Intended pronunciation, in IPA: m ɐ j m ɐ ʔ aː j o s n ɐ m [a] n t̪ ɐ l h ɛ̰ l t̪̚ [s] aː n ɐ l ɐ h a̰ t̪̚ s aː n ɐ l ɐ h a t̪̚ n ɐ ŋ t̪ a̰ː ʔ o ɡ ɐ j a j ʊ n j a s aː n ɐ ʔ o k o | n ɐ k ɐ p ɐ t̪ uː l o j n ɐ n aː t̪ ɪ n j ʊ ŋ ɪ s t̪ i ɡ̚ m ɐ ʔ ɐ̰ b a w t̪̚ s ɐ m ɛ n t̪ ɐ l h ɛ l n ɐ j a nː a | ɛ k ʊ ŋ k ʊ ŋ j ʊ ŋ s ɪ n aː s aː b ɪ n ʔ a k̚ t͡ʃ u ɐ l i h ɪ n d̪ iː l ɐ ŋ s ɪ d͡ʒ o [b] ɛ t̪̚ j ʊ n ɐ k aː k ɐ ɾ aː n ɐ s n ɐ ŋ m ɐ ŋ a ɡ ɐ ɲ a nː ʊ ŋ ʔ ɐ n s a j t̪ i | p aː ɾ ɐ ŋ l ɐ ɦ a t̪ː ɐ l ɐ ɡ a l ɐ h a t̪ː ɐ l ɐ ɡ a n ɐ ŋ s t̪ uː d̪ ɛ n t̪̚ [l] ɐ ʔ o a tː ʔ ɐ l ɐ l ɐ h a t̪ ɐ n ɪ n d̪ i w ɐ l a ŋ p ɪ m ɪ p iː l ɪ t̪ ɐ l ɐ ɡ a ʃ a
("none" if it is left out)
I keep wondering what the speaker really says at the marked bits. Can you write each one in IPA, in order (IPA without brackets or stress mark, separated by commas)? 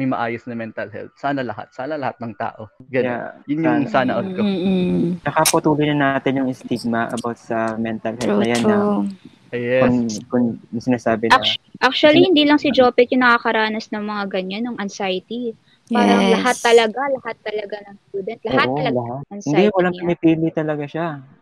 ɛ, s, p, l